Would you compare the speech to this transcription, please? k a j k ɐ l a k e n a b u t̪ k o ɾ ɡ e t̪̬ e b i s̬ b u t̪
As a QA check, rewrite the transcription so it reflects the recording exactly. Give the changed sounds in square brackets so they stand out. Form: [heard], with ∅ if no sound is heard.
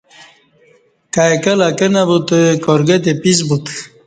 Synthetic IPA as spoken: k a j k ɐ l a k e n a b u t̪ k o ɾ ɡ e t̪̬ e [p] i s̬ b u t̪